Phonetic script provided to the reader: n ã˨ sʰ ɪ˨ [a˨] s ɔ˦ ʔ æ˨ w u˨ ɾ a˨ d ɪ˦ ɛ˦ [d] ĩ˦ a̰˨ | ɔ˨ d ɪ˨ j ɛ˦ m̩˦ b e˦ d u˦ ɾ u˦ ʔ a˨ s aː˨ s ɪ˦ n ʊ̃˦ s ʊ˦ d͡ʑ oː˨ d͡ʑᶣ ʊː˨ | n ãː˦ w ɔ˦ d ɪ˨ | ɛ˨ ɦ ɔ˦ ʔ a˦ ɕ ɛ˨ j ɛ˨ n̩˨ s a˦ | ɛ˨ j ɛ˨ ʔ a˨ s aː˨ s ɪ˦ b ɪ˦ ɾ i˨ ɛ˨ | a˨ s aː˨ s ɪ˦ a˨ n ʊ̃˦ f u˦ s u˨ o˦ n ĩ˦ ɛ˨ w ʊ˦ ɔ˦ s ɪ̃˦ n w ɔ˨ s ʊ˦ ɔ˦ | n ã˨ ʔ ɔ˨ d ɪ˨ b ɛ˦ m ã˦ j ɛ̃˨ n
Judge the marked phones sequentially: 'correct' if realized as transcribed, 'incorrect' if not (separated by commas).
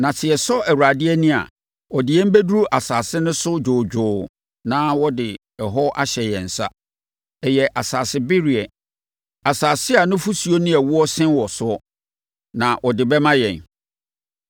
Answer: incorrect, incorrect